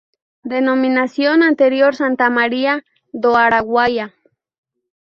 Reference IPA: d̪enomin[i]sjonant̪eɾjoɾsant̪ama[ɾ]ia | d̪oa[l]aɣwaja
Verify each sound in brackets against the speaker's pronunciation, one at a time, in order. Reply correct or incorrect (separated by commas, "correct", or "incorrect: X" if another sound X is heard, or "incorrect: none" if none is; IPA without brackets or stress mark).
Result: incorrect: a, correct, incorrect: ɾ